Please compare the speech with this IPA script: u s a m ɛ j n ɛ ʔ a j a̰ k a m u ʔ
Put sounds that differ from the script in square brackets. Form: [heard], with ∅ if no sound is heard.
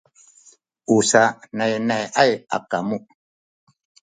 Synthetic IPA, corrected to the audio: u s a [n] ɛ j n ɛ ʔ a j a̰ k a m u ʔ